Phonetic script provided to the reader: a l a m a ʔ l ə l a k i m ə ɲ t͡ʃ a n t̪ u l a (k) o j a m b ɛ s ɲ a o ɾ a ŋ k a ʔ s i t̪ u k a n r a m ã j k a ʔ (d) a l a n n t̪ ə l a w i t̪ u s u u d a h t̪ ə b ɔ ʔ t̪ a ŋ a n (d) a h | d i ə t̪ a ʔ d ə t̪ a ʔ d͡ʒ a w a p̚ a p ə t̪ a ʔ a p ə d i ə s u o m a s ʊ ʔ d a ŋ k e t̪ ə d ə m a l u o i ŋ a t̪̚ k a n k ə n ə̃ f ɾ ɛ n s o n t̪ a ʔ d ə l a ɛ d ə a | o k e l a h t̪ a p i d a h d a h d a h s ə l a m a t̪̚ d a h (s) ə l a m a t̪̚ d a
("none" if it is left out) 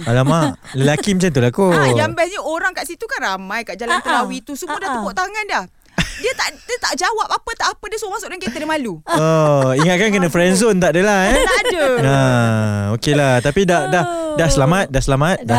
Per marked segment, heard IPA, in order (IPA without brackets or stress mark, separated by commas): k, d͡ʒ, d, s